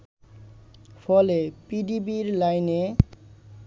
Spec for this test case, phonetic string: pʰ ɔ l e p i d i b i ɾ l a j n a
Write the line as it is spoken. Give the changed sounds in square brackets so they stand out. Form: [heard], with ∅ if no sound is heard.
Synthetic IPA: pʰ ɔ l e p i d i b i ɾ l a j n [e]